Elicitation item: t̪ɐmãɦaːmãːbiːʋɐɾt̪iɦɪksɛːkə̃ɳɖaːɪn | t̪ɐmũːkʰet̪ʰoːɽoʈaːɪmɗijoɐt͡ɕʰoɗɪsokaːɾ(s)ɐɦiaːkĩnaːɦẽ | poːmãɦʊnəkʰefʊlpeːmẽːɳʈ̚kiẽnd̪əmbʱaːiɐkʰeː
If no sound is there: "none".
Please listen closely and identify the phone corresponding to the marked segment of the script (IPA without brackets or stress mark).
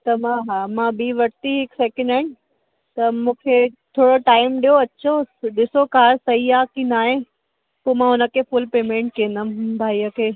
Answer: s